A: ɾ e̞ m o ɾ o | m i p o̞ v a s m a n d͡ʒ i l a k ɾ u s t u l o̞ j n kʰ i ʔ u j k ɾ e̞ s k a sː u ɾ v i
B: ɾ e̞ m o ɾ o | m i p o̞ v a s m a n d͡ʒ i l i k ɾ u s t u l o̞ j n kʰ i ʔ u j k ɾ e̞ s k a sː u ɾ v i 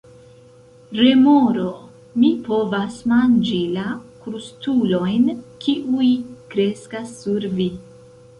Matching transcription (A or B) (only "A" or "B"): A